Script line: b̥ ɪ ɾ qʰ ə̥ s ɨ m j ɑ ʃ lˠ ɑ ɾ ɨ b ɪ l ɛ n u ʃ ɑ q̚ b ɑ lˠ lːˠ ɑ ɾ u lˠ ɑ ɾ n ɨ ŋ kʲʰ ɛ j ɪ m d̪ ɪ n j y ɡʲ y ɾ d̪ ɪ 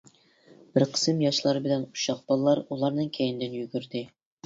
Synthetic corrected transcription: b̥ ɪ ɾ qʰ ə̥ s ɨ m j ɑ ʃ lˠ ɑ ɾ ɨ b ɪ l ɛ n u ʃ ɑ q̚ b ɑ lˠ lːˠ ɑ ɾ u lˠ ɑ ɾ n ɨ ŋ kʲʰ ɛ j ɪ n d̪ ɪ n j y ɡʲ y ɾ d̪ ɪ